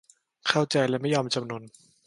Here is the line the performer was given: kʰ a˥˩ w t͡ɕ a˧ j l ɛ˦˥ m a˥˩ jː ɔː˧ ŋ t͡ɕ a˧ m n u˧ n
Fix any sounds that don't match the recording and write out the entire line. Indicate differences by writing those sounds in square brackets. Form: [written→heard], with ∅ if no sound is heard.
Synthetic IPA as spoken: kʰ a˥˩ w t͡ɕ a˧ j l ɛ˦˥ m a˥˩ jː ɔː˧ [ŋ→m] t͡ɕ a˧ m n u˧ n